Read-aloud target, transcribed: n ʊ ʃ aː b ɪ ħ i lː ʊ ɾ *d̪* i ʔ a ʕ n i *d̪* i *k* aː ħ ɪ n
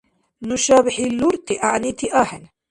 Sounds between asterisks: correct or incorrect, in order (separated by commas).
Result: incorrect, incorrect, incorrect